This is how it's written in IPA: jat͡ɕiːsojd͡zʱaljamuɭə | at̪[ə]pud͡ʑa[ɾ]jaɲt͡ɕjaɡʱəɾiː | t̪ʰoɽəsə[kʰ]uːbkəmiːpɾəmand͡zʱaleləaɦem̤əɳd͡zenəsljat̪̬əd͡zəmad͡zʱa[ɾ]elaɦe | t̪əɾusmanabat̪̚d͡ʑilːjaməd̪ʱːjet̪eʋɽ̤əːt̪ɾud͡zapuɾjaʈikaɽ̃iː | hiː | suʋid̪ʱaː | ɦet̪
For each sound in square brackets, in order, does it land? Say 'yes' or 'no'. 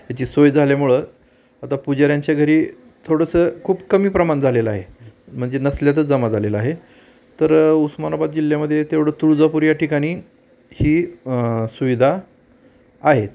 no, yes, yes, no

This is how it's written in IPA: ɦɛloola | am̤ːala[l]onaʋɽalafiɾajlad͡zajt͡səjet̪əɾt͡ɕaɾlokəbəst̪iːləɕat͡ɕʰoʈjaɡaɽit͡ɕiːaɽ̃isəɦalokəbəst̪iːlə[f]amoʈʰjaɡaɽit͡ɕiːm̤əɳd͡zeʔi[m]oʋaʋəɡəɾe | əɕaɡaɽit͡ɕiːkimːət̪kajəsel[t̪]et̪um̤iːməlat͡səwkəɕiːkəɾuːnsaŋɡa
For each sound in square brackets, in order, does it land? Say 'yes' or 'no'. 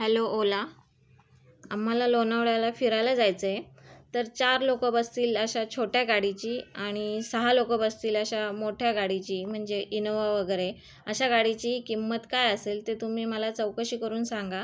yes, no, no, yes

